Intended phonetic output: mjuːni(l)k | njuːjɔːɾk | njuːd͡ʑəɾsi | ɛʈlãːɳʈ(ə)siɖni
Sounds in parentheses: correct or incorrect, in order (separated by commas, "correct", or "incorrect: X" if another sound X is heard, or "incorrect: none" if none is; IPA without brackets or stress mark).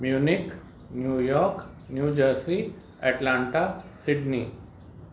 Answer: incorrect: none, incorrect: a